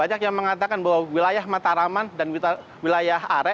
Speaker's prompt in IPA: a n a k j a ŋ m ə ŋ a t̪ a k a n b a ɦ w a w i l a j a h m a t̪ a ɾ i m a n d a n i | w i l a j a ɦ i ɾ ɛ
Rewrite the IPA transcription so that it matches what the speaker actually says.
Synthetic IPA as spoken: a ɲ a k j a ŋ m ə ŋ a t̪ a k a n b a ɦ w a w i l a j a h m a t̪ a ɾ a m a n d a n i | w i l a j a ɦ a ɾ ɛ